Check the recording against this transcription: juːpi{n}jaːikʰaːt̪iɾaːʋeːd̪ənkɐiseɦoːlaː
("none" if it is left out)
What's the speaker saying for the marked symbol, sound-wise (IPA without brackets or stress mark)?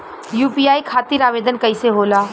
none